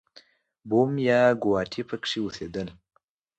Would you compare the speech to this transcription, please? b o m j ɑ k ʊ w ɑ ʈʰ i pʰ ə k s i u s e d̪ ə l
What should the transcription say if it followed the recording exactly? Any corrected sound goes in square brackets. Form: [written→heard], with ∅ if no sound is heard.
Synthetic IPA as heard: b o m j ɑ [k→ɡ] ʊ w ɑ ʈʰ i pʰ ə k [s→ʂ] i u s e d̪ ə l